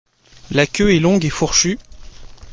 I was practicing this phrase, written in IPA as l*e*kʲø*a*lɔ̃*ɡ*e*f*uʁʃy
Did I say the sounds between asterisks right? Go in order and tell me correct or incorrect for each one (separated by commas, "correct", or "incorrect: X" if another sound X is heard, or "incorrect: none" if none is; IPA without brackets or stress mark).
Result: incorrect: a, incorrect: ɛ, correct, correct